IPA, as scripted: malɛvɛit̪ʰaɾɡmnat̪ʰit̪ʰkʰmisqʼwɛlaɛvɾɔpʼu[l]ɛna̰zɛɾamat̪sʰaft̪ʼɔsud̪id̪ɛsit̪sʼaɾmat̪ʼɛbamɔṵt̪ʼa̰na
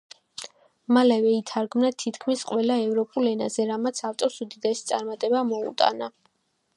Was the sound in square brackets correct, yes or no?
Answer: yes